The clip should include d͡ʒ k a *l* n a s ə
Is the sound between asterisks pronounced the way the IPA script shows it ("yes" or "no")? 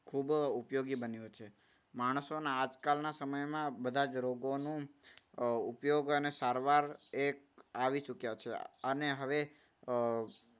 yes